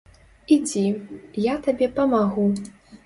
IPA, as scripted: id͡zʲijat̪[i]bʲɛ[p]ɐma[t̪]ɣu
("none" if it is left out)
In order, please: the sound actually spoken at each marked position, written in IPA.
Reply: a, p, none

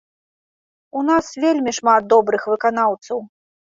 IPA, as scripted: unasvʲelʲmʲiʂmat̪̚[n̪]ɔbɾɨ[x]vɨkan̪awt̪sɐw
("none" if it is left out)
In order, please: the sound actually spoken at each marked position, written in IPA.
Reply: d̪, x

